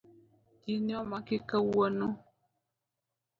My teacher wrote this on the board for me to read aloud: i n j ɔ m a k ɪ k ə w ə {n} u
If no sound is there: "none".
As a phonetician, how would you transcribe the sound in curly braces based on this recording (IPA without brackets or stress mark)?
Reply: n